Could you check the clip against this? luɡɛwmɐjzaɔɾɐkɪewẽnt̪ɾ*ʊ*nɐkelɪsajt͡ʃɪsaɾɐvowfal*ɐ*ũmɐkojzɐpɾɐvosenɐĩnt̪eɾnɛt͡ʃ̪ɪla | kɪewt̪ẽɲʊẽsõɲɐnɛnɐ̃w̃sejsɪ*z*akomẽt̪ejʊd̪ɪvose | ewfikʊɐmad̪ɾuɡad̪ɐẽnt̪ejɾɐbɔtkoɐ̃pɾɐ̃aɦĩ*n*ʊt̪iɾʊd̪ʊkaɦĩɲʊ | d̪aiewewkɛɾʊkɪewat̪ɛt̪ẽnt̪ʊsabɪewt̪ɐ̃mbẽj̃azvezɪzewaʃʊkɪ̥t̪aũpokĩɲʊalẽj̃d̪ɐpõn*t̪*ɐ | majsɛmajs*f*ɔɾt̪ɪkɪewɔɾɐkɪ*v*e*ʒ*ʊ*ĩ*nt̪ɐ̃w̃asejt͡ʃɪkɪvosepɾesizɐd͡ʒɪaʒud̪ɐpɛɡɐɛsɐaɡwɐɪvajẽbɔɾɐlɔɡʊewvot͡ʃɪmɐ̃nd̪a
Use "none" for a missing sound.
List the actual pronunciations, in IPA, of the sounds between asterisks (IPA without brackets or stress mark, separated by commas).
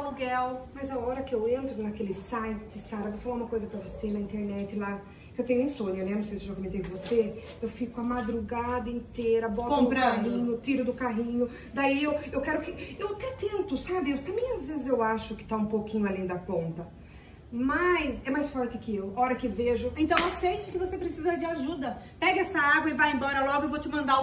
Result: ʊ, a, ʒ, ɲ, t̪, f, v, ʒ, ẽ